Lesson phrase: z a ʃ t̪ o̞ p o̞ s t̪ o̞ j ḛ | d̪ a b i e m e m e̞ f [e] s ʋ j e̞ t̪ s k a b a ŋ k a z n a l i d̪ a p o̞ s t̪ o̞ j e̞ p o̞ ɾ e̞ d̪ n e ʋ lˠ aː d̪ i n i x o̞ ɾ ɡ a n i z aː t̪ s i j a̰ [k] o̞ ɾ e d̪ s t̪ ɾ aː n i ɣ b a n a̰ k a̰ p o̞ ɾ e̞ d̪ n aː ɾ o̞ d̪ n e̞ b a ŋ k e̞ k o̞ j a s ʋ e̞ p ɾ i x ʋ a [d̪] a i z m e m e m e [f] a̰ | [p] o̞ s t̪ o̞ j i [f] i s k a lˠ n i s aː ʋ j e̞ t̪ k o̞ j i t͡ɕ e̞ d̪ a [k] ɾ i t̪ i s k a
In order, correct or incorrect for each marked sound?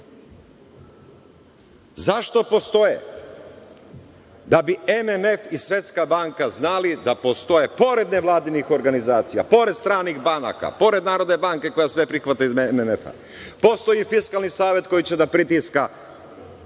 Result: incorrect: i, incorrect: p, incorrect: t̪, correct, correct, correct, incorrect: p

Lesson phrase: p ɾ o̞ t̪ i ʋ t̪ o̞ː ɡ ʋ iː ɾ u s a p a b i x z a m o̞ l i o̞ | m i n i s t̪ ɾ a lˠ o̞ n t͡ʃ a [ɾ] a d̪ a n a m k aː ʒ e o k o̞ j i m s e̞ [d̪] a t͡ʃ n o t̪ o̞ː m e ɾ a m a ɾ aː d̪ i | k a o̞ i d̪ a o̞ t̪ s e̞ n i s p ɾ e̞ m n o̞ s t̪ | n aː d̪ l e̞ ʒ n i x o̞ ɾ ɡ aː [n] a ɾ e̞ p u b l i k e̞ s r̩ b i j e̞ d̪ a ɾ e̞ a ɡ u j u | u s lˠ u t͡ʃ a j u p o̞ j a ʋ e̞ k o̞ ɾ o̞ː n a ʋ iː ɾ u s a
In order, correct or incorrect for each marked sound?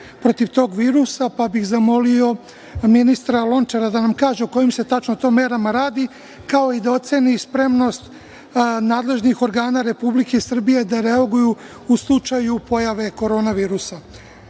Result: correct, incorrect: t̪, correct

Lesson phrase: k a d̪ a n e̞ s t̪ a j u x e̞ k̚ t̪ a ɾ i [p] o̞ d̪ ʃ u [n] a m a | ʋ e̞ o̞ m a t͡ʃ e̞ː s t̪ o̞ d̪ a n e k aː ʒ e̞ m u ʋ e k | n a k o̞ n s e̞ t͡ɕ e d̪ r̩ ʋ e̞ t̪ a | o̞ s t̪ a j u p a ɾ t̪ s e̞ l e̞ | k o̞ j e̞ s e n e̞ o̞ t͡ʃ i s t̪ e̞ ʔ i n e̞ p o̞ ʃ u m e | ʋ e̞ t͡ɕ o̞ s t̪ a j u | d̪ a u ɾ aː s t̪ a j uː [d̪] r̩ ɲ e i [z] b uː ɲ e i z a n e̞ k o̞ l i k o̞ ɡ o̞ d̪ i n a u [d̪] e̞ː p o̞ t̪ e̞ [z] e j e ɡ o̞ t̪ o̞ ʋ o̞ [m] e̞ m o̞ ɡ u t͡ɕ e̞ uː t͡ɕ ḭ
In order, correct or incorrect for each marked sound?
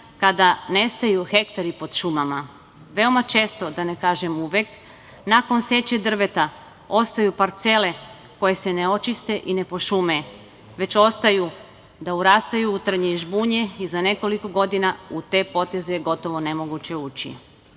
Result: correct, incorrect: m, incorrect: t̪, incorrect: ʒ, incorrect: t̪, correct, incorrect: n

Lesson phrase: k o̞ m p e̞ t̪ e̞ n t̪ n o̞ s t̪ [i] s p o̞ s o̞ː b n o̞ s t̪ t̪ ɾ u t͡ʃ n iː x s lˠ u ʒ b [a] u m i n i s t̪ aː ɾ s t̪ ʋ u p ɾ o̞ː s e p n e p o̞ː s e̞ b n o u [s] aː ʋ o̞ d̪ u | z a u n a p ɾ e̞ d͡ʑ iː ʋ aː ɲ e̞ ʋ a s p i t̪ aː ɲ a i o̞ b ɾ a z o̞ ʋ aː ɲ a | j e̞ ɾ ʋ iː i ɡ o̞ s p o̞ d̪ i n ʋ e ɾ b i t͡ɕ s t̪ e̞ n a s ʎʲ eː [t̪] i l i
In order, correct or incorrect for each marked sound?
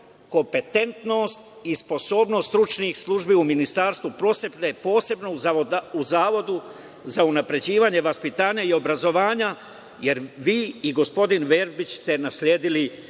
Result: correct, incorrect: i, incorrect: z, incorrect: d̪

